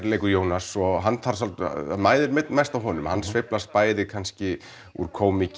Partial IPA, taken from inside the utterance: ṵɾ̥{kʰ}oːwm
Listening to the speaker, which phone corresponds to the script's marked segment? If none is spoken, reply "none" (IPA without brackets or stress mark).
kʰ